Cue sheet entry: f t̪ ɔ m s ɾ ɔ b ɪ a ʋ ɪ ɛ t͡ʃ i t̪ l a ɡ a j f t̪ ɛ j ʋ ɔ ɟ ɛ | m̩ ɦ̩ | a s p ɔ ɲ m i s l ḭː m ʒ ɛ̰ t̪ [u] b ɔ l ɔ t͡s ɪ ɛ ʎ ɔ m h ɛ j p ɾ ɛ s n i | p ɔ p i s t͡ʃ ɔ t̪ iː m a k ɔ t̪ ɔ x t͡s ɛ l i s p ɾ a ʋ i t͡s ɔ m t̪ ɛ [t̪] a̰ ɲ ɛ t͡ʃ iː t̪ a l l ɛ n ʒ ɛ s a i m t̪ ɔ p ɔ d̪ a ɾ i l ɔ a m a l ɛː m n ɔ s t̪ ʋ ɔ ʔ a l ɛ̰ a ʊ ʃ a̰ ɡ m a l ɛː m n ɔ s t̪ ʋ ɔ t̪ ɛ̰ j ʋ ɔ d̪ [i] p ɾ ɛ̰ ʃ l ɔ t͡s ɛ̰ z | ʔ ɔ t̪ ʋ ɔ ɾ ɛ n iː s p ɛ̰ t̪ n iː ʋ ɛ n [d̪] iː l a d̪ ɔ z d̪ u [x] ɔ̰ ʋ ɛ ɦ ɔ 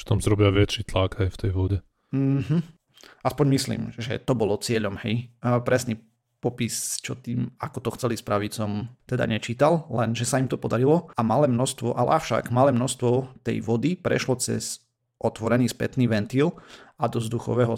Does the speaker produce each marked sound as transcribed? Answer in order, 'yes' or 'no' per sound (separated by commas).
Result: no, no, yes, no, yes